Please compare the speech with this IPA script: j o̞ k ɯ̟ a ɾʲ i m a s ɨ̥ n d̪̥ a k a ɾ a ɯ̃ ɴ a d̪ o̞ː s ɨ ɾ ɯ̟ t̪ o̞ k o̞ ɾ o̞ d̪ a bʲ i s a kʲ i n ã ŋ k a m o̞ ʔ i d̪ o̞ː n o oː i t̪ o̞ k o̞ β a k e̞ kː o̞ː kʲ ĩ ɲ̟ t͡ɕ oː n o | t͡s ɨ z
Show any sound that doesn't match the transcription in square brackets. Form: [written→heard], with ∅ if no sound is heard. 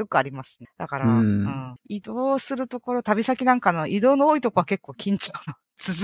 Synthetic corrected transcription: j o̞ k ɯ̟ a ɾʲ i m a s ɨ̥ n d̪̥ a k a ɾ a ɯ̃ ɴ [a→i] d̪ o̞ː s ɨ ɾ ɯ̟ t̪ o̞ k o̞ ɾ o̞ [d̪→t̪] a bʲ i s a kʲ i n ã ŋ k a [m→n] o̞ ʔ i d̪ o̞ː n o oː i t̪ o̞ k o̞ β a k e̞ kː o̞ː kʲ ĩ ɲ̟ t͡ɕ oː n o | t͡s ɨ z